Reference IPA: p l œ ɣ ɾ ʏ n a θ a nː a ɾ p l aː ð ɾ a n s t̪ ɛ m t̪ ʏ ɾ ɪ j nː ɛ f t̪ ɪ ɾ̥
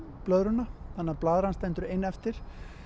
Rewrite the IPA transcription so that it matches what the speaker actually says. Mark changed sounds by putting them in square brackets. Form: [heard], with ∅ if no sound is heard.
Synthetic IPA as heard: p l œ [ð] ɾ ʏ n a θ a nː a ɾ p l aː ð ɾ a n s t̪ ɛ [n] t̪ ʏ ɾ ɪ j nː ɛ f t̪ ɪ ɾ̥